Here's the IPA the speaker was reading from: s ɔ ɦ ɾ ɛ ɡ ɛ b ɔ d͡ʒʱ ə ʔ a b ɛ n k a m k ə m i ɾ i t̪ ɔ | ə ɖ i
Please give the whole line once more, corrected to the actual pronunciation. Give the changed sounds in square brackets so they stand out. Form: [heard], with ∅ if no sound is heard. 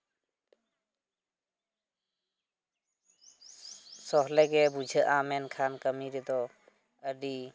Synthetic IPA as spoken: s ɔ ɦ [l] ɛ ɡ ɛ b [u] d͡ʒʱ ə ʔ a [m] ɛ n [kʰ] a [n] k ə m i ɾ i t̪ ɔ | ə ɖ i